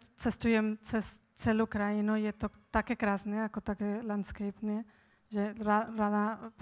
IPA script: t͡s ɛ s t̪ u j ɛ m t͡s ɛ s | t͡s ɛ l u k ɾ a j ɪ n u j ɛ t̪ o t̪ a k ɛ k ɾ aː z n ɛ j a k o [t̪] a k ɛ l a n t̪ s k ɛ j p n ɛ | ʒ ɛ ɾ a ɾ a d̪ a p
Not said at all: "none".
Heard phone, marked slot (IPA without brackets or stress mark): t̪